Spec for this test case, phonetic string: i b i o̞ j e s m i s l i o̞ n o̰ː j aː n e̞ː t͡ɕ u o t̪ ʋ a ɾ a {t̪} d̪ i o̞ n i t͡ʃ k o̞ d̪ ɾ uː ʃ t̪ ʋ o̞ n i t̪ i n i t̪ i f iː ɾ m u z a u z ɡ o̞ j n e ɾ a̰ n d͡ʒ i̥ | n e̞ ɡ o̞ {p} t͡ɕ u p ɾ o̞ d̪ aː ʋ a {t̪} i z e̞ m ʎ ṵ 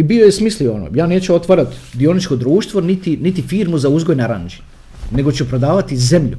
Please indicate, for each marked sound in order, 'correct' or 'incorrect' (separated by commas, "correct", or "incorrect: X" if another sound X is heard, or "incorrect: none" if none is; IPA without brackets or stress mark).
correct, incorrect: none, correct